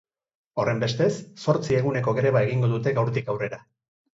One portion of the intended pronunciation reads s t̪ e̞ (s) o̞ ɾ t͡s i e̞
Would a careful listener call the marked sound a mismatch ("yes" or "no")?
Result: yes